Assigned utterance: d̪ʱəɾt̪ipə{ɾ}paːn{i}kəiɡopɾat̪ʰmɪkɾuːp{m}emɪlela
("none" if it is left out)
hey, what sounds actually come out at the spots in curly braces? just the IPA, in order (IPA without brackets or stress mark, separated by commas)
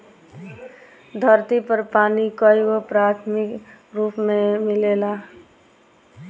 ɾ, i, m